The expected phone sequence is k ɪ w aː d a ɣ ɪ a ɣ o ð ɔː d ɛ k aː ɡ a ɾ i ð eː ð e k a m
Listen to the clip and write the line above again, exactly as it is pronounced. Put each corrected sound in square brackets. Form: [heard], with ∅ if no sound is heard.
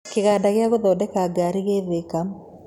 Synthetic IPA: k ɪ [ɣ] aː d a ɣ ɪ a ɣ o ð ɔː d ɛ k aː ɡ a ɾ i [ɣ] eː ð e k a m